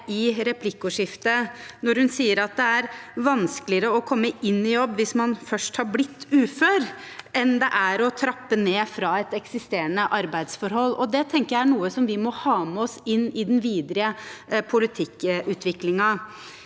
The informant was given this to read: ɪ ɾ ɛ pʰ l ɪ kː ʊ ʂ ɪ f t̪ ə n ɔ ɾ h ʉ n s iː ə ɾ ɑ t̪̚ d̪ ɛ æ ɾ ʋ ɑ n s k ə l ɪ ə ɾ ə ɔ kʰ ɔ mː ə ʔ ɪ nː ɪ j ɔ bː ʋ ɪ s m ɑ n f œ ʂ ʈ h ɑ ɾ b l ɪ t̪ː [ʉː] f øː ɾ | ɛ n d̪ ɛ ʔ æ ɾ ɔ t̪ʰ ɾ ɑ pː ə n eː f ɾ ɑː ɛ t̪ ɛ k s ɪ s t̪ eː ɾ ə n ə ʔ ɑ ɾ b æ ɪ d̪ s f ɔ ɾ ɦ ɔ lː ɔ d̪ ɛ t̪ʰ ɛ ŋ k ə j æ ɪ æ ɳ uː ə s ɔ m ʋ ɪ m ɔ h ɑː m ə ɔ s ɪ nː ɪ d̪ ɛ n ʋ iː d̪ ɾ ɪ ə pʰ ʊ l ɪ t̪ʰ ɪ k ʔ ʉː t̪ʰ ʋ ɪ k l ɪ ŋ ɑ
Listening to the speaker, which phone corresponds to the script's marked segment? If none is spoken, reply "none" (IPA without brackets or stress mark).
ʉː